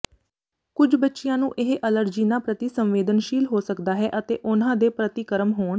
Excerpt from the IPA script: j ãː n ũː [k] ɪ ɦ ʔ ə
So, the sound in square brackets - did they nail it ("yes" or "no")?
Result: no